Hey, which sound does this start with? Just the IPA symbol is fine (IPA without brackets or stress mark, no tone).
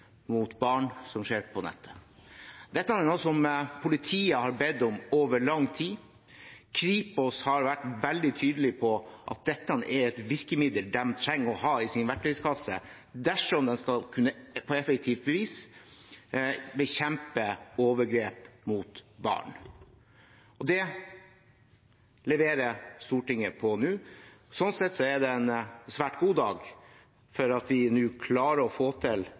m